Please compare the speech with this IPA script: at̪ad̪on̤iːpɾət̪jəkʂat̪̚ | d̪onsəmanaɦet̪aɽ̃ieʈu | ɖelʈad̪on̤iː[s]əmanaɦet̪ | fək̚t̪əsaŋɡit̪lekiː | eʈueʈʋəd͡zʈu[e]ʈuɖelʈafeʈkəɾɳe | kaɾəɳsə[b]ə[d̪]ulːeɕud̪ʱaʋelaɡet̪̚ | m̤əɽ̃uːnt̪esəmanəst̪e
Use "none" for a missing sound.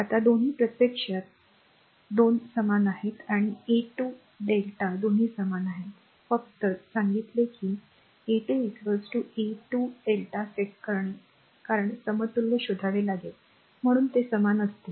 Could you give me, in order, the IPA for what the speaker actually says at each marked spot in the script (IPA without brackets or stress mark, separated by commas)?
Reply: s, e, m, t̪